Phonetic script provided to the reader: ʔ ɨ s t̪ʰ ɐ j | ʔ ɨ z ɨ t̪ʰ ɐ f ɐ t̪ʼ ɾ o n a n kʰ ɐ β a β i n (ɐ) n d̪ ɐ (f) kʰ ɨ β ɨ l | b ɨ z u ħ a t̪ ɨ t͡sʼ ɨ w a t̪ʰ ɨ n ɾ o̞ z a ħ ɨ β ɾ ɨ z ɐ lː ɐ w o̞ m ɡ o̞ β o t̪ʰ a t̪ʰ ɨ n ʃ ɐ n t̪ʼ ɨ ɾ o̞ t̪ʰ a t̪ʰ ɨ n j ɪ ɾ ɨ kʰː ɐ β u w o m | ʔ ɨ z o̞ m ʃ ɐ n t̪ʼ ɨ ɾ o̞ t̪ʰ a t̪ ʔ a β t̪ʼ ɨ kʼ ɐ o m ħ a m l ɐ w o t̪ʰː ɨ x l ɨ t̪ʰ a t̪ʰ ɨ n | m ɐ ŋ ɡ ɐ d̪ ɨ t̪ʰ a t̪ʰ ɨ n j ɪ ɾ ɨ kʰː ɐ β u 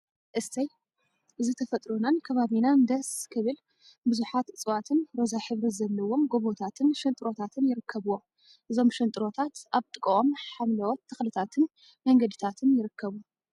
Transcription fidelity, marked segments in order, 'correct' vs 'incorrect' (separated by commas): incorrect, incorrect